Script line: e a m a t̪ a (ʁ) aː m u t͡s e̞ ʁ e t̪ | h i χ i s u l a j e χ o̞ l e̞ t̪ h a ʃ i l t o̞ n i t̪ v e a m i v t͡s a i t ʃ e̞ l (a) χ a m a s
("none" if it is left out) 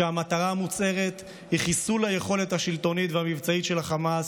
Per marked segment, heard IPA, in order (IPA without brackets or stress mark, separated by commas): ʁ, a